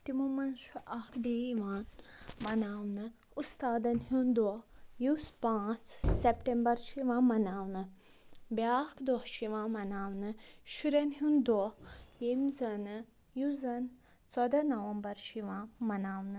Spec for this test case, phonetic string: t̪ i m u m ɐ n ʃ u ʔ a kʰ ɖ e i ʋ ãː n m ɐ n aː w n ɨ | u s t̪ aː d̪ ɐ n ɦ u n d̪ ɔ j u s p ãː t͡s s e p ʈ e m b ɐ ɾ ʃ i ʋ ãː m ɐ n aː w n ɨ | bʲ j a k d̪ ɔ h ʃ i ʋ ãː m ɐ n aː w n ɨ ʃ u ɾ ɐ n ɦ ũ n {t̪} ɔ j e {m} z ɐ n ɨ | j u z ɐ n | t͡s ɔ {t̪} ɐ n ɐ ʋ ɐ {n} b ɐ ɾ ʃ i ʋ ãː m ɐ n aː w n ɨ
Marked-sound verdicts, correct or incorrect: incorrect: d̪, correct, incorrect: d̪, incorrect: m

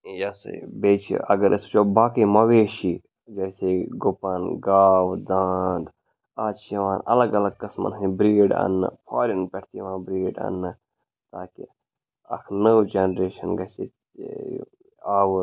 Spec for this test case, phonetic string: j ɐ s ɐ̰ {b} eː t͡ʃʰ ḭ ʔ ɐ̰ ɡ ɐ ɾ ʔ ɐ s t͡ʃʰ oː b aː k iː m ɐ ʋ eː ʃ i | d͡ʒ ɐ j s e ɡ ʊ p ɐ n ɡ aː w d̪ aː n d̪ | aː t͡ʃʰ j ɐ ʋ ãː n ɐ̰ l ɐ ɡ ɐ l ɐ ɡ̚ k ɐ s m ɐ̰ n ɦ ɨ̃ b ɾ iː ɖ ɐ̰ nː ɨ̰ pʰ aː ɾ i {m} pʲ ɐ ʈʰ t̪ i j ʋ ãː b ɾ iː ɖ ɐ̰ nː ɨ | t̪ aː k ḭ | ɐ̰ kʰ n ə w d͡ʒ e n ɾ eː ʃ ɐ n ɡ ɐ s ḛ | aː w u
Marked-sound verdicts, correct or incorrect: correct, incorrect: n

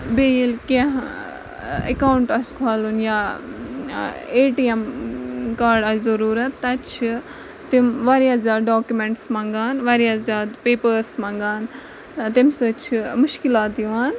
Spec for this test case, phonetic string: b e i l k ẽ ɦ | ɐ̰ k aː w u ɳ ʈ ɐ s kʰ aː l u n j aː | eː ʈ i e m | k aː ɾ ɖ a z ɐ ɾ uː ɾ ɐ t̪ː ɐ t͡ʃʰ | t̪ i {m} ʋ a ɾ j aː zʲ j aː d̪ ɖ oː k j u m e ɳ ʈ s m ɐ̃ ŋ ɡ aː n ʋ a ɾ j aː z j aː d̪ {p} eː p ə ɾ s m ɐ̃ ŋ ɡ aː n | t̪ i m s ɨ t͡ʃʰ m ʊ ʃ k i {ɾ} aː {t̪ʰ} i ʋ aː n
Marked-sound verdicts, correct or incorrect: correct, correct, incorrect: l, incorrect: t̪

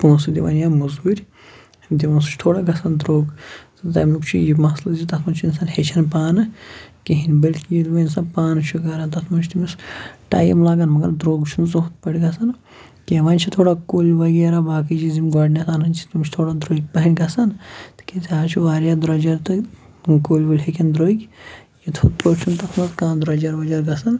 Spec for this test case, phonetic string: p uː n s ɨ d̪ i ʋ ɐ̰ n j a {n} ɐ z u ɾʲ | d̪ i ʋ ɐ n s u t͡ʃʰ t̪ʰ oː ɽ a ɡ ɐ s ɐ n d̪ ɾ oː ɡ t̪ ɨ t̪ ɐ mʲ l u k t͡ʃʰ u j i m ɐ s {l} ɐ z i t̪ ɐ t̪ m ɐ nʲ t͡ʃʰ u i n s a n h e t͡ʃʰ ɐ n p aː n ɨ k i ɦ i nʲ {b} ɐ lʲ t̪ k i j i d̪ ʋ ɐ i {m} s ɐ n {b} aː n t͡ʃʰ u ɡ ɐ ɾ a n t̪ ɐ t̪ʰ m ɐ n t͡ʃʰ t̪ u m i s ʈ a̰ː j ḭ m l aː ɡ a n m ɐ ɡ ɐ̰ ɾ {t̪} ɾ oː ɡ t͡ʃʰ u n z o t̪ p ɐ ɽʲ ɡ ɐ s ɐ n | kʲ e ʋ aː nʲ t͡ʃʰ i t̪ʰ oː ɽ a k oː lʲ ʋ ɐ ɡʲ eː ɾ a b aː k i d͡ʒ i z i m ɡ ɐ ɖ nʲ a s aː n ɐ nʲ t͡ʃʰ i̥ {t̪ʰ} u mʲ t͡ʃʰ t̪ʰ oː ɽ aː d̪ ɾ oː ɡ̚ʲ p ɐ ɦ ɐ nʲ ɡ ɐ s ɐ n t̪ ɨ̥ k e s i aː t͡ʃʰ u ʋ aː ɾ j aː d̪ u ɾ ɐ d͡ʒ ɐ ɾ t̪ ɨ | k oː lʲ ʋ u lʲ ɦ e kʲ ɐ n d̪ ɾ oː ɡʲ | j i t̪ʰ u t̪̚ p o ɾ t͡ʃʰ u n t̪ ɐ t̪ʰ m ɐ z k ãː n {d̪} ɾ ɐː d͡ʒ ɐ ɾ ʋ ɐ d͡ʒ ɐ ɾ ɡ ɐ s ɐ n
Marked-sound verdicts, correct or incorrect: incorrect: m, correct, correct, incorrect: n, incorrect: p, incorrect: d̪, incorrect: t̪, correct

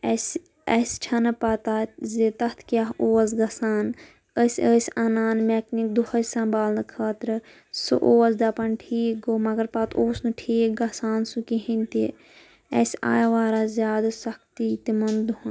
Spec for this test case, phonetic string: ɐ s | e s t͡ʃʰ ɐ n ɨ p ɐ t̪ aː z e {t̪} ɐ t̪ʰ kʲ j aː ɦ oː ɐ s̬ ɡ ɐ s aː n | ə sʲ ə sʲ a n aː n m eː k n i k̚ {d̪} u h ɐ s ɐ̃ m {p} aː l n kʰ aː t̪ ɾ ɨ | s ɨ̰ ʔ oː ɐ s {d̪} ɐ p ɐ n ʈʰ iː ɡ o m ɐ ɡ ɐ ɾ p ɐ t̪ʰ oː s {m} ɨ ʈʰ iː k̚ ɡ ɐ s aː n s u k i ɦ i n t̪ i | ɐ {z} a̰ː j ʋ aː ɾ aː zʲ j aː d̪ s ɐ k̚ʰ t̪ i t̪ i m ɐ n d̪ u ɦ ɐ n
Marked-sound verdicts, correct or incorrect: correct, correct, incorrect: b, correct, incorrect: n, incorrect: s

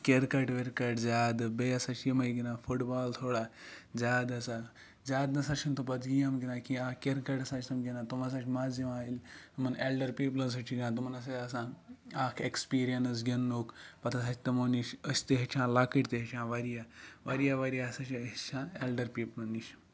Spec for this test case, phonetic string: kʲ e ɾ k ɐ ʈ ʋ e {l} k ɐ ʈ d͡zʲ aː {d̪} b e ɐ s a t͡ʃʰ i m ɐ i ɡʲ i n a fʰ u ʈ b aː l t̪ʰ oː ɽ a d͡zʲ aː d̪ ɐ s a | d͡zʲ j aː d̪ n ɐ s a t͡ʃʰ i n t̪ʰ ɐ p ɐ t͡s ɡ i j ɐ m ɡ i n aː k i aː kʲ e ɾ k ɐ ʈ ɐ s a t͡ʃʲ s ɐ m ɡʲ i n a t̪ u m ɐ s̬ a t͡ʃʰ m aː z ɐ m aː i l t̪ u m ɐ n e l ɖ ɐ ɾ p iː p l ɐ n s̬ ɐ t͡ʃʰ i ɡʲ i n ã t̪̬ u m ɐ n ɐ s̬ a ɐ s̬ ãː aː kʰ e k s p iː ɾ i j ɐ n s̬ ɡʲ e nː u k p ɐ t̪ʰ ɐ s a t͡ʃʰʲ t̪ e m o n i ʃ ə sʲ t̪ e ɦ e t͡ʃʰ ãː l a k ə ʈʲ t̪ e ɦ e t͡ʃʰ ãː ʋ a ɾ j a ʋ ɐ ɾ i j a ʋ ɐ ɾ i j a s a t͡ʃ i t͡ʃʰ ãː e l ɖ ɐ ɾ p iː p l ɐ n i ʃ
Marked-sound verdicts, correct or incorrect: incorrect: ɾ, correct

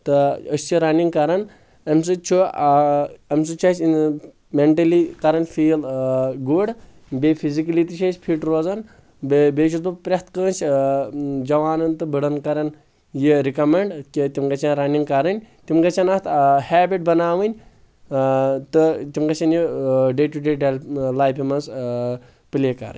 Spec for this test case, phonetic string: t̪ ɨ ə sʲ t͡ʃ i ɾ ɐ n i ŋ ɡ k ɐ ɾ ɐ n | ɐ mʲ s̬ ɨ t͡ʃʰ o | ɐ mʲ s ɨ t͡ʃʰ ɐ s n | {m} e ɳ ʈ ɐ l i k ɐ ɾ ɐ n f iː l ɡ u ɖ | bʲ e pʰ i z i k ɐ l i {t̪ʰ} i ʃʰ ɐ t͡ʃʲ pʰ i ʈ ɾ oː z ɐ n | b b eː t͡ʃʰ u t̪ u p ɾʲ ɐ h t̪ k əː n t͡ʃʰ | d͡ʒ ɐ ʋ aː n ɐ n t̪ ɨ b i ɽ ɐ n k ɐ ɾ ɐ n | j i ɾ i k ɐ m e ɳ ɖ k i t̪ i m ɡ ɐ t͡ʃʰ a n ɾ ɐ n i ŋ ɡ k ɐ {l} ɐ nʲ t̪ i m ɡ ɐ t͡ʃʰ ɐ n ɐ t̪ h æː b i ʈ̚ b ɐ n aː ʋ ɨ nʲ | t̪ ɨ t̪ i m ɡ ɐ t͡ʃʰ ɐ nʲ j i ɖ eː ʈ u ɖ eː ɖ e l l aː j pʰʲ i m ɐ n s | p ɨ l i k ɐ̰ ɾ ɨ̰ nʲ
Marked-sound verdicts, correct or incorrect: correct, incorrect: t̪, incorrect: ɾ

